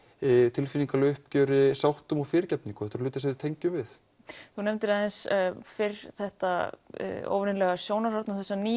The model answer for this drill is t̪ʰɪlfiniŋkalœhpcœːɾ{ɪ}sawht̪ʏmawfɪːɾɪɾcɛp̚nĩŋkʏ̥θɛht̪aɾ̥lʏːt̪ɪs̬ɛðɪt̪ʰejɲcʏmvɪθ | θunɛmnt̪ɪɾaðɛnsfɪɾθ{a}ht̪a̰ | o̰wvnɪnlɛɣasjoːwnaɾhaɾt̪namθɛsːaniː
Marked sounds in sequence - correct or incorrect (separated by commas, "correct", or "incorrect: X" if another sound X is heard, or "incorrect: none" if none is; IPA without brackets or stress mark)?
correct, incorrect: ɛ